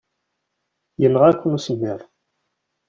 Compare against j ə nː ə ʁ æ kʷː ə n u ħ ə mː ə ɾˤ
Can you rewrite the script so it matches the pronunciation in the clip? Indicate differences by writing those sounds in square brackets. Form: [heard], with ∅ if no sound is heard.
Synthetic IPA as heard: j ə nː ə ʁ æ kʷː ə n u [s] ə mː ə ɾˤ

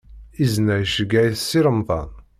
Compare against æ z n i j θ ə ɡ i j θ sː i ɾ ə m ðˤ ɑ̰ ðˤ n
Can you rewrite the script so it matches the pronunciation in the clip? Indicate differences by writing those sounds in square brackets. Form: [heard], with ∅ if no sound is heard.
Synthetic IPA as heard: [i] z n [æ] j [ʃ] ə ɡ [æ] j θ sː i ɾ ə m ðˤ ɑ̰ [∅] n

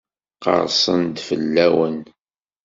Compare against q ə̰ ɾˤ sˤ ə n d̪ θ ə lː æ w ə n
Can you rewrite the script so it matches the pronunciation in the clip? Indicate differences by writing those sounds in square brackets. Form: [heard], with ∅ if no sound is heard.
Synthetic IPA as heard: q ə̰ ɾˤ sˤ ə n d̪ [f] ə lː æ w ə n

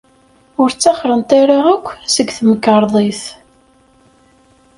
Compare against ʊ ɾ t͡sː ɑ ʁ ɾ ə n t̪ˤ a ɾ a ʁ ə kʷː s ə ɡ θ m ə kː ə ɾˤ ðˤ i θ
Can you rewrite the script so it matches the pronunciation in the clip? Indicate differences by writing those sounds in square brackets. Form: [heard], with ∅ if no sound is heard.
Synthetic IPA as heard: ʊ ɾ t͡sː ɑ [χ] ɾ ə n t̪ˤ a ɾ a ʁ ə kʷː s ə ɡ θ m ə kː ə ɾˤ ðˤ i θ

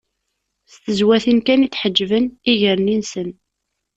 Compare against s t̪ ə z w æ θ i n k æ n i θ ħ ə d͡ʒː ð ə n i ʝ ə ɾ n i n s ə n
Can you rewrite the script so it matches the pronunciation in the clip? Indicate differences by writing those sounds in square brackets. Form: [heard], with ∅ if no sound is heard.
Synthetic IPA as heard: s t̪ ə z w æ θ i n k æ n i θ ħ ə d͡ʒː [v] ə n i ʝ ə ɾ n i n s ə n

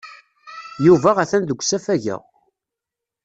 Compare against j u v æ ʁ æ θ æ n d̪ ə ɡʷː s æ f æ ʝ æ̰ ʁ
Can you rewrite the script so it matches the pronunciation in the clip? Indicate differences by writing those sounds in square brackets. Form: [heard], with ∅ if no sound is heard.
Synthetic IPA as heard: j u v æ ʁ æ θ æ n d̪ ə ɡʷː s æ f æ ʝ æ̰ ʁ

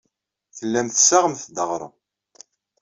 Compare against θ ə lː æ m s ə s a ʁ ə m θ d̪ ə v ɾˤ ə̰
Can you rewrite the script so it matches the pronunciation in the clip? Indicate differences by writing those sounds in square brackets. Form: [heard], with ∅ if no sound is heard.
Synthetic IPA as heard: θ ə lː æ m [θ] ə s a ʁ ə m θ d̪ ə [ʁ] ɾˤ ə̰

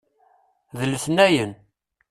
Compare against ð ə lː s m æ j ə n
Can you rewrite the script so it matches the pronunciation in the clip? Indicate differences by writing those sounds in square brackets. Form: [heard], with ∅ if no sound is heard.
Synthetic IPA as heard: ð ə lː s [n] æ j ə n

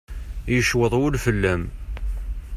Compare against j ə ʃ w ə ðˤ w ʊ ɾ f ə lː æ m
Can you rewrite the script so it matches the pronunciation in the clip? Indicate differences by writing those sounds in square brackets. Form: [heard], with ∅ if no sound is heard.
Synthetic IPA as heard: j ə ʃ w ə ðˤ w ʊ [l] f ə lː æ m

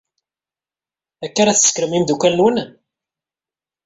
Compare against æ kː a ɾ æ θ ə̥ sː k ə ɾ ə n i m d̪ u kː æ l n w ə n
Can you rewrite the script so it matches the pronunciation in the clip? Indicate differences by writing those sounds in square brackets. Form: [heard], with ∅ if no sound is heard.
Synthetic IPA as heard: æ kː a ɾ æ θ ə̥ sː k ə ɾ ə [m] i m d̪ u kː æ l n w ə n

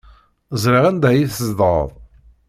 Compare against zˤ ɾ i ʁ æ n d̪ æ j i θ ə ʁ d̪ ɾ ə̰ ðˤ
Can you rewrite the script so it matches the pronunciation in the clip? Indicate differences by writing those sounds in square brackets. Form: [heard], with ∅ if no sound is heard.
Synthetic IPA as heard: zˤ ɾ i ʁ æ n d̪ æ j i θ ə [z] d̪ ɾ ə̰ ðˤ

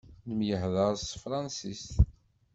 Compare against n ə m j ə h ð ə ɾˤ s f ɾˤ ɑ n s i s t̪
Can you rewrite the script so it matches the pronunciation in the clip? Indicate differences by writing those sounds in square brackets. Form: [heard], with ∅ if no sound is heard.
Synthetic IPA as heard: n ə m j ə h ð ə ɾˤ s f ɾˤ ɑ n s i s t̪

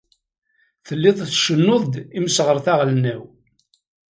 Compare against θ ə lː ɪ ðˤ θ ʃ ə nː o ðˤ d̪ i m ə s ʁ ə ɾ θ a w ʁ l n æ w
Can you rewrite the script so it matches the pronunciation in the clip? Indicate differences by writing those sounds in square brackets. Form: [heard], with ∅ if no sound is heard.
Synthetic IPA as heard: θ ə lː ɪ ðˤ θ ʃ ə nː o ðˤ d̪ i m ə s ʁ ə ɾ θ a [∅] ʁ l n æ w

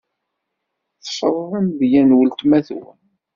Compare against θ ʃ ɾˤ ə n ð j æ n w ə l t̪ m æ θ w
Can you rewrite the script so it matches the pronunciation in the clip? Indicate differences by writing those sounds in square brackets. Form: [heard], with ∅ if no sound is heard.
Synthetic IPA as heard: θ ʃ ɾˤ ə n ð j æ n w ə l t̪ m æ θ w

